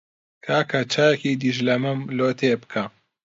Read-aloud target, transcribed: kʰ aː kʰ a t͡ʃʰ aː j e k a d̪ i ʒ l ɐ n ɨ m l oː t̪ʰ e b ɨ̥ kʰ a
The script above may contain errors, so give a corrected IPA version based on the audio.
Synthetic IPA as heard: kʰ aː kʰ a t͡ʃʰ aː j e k i d̪ i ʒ l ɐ m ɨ m l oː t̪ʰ e b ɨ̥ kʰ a

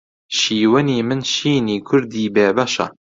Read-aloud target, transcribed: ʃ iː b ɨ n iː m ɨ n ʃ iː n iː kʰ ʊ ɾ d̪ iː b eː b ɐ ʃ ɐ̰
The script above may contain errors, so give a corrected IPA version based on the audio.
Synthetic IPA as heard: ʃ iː w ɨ n iː m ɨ n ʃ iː n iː kʰ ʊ ɾ d̪ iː b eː b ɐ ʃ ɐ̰

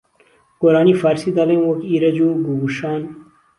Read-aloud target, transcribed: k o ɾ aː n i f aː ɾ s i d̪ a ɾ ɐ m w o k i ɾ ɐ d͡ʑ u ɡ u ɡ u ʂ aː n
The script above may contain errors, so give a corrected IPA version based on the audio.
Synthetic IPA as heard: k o ɾ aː n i f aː ɾ s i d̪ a l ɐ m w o k i ɾ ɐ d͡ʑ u ɡ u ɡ u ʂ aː n

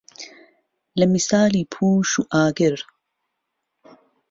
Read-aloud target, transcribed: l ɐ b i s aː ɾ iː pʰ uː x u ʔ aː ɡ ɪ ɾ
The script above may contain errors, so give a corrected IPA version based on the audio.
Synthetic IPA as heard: l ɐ m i s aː l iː pʰ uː ʃ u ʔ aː ɡ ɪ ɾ

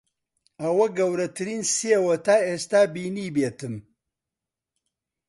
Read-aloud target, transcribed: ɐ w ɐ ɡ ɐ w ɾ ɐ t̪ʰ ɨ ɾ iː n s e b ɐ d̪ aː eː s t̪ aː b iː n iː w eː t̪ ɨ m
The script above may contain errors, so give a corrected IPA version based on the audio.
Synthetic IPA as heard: ɐ w ɐ ɡ ɐ w ɾ ɐ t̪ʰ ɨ ɾ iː n s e w ɐ t̪ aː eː s t̪ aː b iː n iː b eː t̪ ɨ m

